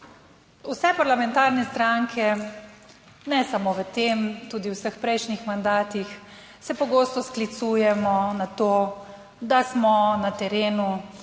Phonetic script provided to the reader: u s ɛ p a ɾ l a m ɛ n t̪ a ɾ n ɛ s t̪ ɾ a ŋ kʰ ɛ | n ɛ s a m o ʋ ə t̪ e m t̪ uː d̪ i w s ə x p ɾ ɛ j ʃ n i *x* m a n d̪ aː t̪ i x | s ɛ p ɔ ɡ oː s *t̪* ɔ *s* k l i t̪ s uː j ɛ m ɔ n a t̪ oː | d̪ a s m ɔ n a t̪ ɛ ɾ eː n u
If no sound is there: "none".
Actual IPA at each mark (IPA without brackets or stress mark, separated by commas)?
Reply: x, t̪, s